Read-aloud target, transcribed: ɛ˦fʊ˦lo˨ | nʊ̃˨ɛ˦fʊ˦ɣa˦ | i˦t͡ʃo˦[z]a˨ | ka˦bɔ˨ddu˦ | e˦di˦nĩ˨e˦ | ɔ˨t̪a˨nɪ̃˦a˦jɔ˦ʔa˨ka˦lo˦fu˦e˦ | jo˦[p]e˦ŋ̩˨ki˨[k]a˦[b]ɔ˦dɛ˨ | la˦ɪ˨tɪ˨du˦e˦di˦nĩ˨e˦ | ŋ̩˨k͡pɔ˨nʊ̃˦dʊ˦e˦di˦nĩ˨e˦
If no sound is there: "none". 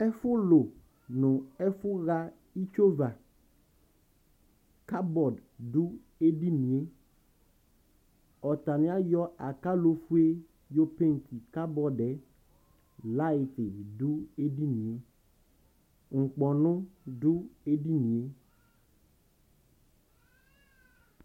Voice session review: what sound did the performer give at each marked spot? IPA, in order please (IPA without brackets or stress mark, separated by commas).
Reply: v, p, k, b